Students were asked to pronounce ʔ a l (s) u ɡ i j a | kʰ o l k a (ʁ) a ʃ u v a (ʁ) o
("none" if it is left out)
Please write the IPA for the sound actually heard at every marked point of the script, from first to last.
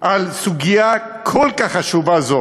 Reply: s, χ, z

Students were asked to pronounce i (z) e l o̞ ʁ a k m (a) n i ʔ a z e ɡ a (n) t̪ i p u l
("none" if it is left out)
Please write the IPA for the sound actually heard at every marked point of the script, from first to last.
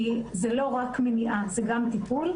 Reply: z, e, m

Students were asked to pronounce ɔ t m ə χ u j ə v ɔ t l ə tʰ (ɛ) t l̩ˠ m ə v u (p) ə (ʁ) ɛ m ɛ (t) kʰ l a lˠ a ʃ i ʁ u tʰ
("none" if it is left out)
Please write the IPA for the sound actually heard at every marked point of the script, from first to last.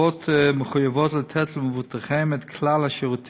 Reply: ɛ, t, χ, t

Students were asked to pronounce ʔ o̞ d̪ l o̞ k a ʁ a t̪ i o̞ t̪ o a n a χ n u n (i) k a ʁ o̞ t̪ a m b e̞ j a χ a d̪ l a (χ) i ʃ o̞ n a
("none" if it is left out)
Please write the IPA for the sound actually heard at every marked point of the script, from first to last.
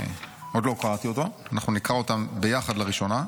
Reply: i, ʁ

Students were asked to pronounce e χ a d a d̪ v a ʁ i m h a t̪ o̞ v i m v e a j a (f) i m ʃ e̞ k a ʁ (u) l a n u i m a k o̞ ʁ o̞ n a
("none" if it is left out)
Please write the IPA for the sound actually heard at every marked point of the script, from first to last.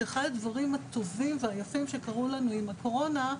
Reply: f, u

